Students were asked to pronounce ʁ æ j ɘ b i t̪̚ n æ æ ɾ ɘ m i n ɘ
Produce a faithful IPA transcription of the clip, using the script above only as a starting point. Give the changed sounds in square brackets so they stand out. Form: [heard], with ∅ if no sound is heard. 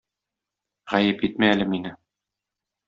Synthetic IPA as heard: ʁ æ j ɘ [p] i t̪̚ [m] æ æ [l] ɘ m i n ɘ